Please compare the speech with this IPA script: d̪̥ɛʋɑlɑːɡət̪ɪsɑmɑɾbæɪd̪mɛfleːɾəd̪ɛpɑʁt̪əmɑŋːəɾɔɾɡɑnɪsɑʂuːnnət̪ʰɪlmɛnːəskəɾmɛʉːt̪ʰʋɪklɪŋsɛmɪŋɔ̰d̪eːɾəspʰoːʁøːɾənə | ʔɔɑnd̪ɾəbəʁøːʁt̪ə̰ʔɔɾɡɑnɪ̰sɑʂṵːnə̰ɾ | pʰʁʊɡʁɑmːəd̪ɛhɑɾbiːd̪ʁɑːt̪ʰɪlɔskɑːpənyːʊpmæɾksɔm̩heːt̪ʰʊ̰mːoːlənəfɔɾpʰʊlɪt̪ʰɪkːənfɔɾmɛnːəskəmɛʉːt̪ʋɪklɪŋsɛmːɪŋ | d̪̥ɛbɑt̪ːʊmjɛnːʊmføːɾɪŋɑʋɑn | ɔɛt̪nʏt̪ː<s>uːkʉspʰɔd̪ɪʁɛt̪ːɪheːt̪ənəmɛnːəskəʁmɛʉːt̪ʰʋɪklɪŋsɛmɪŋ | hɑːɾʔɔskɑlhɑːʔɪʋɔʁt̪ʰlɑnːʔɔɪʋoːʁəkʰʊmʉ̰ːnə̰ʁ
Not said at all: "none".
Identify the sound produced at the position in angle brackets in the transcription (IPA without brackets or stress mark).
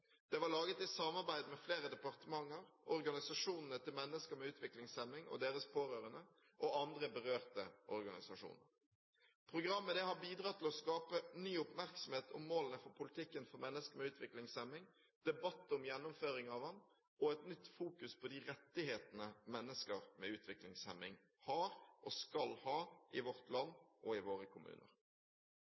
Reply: f